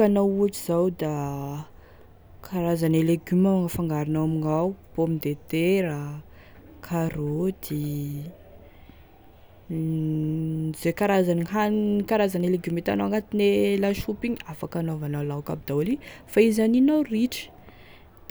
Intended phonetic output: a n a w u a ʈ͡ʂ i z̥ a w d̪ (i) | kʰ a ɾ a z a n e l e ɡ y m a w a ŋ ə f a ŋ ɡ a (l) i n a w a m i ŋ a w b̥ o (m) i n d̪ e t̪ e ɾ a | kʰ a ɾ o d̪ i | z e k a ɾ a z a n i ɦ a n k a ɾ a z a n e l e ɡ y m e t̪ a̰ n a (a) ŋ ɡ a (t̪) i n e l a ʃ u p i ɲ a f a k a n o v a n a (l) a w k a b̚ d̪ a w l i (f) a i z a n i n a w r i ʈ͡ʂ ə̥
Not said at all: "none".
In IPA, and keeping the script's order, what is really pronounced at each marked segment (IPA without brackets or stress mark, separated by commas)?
a, ɾ, m, a, t̪, l, f